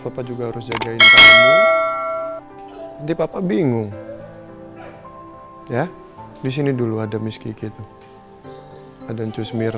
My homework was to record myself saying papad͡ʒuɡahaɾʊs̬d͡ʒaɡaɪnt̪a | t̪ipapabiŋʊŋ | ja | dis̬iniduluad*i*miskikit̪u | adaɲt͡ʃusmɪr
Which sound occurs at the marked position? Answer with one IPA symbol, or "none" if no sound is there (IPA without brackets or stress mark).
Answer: a